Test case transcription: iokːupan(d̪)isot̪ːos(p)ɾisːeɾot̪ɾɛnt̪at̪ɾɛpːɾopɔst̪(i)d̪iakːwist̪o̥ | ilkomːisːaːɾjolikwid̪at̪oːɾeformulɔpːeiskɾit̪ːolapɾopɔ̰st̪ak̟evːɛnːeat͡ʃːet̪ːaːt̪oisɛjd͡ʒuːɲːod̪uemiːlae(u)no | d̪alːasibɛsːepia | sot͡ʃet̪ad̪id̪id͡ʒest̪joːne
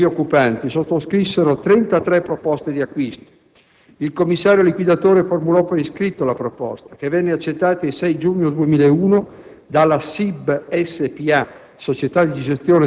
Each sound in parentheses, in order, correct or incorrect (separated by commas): incorrect, incorrect, incorrect, incorrect